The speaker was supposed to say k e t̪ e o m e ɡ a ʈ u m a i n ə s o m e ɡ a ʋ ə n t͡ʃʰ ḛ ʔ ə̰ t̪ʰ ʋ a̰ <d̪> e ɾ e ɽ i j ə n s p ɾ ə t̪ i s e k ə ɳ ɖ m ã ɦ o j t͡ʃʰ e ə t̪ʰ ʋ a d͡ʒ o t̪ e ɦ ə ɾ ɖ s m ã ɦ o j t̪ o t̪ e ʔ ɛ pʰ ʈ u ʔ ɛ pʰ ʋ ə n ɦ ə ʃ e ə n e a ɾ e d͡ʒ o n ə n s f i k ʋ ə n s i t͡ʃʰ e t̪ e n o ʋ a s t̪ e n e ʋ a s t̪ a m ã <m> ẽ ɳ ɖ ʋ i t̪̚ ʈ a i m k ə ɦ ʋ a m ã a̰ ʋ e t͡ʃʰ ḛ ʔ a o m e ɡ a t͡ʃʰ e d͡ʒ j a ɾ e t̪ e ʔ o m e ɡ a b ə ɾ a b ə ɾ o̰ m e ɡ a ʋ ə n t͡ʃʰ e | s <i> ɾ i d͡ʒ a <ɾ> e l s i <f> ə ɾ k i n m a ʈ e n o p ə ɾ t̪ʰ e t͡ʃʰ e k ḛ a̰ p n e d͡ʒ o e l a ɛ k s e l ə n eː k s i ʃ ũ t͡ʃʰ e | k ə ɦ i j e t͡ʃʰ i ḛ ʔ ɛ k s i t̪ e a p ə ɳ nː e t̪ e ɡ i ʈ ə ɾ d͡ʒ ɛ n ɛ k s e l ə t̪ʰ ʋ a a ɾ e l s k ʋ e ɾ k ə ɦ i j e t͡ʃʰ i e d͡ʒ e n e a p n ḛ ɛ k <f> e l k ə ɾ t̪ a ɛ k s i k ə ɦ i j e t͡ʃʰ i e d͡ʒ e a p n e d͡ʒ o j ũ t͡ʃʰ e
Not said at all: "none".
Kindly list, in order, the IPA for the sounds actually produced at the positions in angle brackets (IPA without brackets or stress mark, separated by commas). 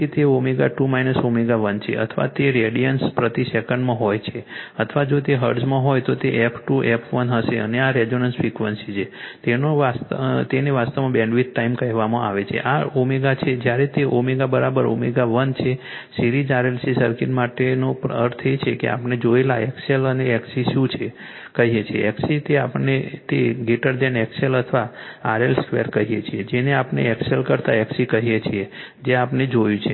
t̪, b, i, ɾ, s, s